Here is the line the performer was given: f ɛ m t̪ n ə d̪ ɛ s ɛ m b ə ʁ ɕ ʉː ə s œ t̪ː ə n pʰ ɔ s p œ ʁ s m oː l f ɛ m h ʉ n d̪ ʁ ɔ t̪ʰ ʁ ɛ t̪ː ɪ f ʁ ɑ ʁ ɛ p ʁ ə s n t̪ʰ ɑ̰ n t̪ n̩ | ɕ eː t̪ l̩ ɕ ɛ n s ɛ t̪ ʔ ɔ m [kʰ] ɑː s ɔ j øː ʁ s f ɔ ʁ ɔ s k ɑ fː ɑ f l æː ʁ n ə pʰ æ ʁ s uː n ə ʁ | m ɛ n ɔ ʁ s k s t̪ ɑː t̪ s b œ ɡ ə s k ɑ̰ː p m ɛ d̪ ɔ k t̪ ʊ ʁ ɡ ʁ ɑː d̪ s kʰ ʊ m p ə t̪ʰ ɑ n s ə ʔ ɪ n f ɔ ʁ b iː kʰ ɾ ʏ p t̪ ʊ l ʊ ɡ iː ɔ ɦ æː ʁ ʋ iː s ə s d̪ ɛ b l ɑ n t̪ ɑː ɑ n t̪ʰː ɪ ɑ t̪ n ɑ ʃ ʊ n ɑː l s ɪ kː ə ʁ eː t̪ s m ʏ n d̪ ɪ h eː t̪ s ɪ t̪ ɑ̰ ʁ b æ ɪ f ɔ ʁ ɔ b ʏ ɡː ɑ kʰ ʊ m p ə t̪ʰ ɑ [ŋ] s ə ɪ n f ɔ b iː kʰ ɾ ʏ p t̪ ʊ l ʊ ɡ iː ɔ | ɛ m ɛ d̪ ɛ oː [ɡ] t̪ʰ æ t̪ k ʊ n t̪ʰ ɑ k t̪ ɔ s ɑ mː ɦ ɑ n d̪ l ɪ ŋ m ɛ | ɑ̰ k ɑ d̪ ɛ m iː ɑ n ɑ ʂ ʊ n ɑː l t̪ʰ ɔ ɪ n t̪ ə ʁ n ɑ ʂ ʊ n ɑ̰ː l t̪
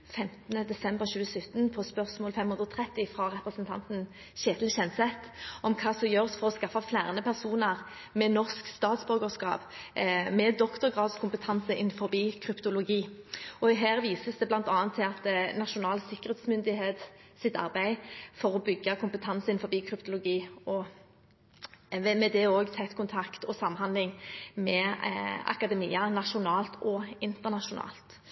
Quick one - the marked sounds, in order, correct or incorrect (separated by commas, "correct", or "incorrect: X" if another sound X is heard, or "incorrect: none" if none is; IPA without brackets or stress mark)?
correct, incorrect: n, correct